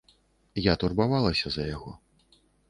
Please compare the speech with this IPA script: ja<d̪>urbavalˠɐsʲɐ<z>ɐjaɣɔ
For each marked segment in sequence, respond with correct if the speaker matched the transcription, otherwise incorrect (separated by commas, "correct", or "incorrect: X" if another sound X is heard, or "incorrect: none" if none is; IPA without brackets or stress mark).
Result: incorrect: t̪, correct